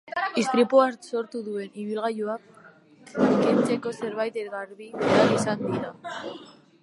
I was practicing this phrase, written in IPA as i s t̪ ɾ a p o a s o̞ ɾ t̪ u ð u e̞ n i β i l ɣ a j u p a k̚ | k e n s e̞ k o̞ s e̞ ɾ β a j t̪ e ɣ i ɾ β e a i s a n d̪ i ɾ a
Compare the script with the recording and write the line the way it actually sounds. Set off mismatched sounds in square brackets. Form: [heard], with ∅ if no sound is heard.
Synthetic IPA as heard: i s t̪ ɾ [i] p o a s o̞ ɾ t̪ u ð u e̞ n i β i l ɣ a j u [∅] a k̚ | k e n [t͡s] e̞ k o̞ s e̞ ɾ β a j t̪ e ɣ [a] ɾ β [i] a i s a n d̪ i ɾ a